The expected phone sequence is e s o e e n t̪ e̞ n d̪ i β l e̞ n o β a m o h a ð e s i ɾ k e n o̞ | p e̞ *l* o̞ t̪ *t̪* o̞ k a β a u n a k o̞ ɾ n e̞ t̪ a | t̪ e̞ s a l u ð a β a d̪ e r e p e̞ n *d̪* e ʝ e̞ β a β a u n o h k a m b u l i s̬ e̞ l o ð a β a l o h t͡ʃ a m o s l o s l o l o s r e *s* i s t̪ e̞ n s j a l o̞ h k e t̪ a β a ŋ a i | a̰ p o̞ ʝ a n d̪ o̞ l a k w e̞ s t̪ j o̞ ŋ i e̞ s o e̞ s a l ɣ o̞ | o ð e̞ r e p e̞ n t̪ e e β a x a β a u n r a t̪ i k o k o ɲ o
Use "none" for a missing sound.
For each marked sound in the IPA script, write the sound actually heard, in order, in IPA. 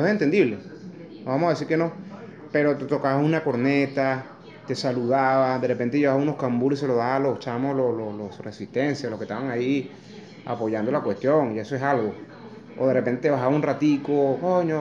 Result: ɾ, t̪, t̪, s

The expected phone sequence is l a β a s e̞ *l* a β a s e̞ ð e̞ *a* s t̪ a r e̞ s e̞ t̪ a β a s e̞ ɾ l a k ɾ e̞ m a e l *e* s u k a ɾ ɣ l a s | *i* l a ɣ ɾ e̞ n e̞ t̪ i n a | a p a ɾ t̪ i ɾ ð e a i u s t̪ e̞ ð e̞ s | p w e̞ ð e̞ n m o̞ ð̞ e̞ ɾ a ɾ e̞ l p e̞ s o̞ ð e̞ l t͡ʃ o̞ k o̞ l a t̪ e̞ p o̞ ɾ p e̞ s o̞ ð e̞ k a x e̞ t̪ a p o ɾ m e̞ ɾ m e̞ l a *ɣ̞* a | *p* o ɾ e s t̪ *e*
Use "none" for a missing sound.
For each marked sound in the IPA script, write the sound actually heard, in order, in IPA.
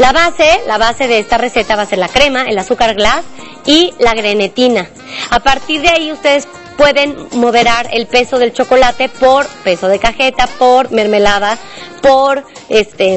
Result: l, e, a, i, ð̞, p, e

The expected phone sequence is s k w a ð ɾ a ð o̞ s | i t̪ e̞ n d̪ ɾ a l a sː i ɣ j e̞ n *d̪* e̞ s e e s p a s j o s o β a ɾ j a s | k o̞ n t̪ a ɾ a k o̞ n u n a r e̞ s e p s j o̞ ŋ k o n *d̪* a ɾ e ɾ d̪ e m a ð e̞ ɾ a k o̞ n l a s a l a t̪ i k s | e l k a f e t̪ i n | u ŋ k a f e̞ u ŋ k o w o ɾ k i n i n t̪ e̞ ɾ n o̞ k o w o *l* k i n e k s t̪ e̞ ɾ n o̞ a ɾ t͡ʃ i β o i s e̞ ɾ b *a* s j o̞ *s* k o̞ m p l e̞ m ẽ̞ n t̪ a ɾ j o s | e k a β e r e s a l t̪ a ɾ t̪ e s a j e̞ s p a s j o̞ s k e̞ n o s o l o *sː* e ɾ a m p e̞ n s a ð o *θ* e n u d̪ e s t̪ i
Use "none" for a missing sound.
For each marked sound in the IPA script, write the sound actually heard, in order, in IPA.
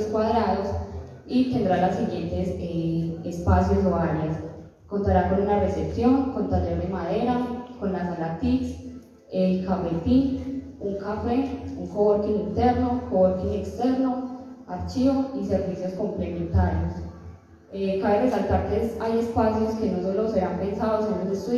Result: t̪, t̪, ɾ, i, s, s, s

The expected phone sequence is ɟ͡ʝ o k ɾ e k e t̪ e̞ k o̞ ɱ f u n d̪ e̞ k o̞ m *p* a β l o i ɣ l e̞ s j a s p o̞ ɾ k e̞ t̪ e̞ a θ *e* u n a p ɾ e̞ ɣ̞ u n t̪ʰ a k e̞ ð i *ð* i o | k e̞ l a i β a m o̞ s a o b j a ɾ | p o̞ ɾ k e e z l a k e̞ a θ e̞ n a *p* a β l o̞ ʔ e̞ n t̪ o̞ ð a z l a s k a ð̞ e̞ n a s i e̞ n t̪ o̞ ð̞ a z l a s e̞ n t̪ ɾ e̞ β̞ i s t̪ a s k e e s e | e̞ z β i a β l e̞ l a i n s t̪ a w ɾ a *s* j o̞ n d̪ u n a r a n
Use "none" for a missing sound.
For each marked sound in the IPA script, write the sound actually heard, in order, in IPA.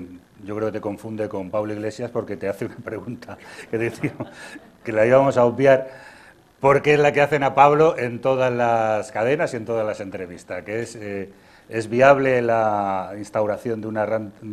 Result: p, e, θ, p, θ

